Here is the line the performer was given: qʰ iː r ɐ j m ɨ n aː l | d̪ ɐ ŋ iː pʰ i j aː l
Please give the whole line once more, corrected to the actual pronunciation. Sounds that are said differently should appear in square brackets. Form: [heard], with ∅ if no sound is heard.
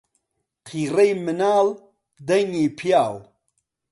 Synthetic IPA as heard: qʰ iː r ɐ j m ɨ n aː l | d̪ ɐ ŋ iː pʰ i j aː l